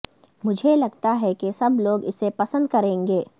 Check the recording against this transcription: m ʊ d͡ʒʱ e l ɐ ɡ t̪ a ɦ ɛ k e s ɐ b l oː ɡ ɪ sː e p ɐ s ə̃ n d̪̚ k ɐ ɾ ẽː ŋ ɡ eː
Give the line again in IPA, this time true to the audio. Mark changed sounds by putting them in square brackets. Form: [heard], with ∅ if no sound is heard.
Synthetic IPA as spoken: m ʊ d͡ʒʱ e l ɐ ɡ t̪ a ɦ ɛ k e s ɐ b l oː ɡ ɪ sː e p ɐ s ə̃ n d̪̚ k ɐ ɾ ẽː ŋ ɡ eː